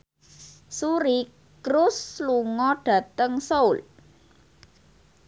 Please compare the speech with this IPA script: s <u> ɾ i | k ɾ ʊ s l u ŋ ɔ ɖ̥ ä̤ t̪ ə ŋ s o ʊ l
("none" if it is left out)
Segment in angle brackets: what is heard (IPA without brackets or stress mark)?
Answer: u